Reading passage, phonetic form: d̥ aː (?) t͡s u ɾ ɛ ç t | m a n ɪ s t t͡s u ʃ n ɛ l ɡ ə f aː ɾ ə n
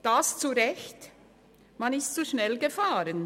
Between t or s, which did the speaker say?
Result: s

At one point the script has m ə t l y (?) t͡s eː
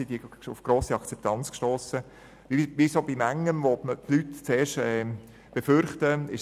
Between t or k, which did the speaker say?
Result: t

